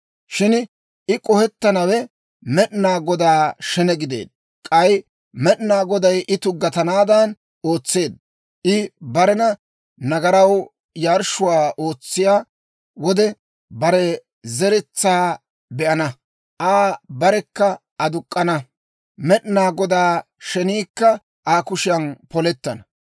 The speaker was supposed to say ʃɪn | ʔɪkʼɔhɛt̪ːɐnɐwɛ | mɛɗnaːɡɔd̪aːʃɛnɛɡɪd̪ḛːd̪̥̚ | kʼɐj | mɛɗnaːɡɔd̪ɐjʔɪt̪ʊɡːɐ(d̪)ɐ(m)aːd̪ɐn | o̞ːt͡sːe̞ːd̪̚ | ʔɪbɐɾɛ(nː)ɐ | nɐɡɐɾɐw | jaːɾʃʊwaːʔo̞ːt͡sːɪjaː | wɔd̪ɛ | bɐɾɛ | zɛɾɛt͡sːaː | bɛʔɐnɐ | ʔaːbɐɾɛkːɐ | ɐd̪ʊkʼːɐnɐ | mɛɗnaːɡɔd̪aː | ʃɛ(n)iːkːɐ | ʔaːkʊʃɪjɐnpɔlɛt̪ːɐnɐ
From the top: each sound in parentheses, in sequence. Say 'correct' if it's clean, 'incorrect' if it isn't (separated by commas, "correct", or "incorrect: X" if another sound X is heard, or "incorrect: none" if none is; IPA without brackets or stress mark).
incorrect: t̪, incorrect: n, incorrect: n, correct